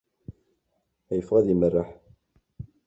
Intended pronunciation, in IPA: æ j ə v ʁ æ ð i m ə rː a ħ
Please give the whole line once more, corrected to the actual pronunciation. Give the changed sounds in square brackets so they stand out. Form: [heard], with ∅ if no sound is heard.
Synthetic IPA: æ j ə [f] ʁ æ ð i m ə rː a ħ